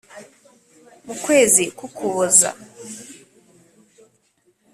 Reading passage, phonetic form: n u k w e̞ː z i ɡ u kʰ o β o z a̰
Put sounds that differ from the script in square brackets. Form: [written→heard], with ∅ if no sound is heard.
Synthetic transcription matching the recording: [n→m] u k w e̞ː z i [ɡ→k] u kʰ [o→u] β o z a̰